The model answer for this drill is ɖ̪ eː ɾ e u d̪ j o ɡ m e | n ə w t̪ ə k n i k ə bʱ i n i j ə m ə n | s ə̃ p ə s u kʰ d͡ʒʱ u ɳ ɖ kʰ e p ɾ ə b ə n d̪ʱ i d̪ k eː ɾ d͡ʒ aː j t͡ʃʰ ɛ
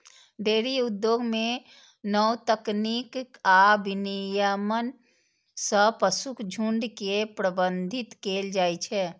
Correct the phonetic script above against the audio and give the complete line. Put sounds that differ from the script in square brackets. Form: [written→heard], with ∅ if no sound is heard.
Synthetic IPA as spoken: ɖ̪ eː ɾ [e→i] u d̪ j o ɡ m e | n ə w t̪ ə k n i k [ə→a] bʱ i n i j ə m ə n | s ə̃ p ə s u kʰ d͡ʒʱ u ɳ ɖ [kʰ→k] e p ɾ ə b ə n d̪ʱ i [d̪→t̪] k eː [ɾ→l] d͡ʒ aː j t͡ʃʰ ɛ